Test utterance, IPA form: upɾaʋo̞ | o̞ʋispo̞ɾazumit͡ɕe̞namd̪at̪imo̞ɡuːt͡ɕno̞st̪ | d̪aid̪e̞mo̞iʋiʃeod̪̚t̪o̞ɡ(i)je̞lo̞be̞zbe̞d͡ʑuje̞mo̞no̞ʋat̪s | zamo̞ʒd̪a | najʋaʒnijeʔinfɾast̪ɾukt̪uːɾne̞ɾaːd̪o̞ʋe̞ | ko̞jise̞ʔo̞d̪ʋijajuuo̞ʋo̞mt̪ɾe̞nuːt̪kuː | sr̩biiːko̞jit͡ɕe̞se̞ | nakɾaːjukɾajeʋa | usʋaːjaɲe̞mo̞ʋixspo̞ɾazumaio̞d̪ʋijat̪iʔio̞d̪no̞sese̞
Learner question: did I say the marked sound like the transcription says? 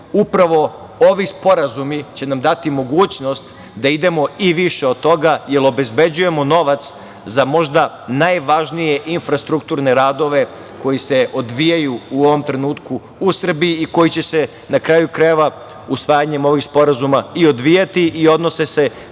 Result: no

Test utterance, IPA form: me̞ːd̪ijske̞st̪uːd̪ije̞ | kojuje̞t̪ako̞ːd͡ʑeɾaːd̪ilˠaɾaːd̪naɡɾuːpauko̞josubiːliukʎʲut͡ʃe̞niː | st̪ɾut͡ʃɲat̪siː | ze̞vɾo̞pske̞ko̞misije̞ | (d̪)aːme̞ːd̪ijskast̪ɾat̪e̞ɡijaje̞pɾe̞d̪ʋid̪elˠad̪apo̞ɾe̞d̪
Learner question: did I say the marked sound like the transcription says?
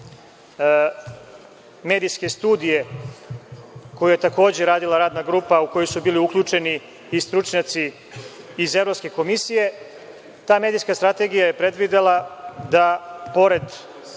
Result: no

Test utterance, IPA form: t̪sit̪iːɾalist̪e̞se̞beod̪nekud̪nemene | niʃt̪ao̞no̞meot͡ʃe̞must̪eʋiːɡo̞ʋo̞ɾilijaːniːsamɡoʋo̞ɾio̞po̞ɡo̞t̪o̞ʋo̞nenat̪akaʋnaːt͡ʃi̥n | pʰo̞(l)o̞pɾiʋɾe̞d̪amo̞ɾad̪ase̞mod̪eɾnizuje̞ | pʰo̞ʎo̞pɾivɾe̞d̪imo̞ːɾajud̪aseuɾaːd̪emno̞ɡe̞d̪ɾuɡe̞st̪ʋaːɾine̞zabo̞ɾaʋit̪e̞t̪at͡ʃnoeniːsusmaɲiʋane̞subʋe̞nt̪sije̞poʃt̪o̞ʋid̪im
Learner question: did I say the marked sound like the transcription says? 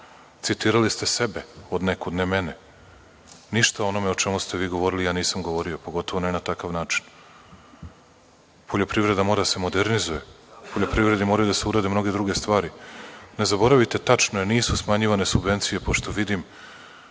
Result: no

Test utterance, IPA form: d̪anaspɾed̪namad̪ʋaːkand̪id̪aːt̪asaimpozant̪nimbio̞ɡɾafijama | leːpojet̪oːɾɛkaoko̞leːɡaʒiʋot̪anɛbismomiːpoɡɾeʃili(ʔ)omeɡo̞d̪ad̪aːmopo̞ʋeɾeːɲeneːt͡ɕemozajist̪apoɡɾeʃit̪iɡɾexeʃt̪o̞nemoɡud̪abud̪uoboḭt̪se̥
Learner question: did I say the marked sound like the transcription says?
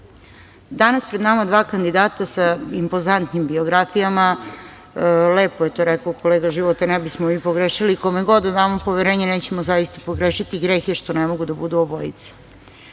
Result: no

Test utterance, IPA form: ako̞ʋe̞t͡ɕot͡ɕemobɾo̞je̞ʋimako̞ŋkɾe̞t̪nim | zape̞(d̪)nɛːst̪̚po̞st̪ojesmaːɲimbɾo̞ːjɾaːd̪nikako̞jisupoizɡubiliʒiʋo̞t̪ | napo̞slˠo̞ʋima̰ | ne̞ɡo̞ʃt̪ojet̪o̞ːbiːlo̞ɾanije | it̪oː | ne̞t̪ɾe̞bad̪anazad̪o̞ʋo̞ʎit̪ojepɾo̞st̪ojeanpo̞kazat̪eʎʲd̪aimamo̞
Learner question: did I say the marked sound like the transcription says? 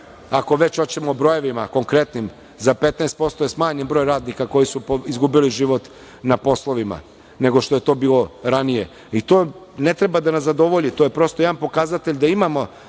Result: no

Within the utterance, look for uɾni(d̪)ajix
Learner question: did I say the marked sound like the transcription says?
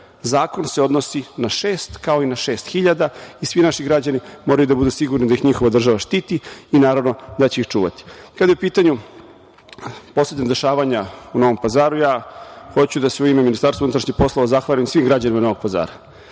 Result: yes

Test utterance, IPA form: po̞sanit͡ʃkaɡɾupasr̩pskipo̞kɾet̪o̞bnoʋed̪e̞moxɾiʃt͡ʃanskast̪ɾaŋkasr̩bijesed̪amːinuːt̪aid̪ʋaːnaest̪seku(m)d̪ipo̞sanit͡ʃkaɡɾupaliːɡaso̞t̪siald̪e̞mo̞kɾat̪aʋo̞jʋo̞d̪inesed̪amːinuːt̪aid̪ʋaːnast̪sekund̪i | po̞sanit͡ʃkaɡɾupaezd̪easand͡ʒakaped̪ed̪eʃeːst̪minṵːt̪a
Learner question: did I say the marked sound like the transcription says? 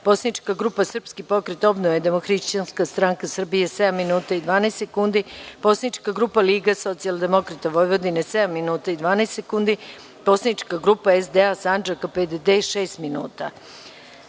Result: no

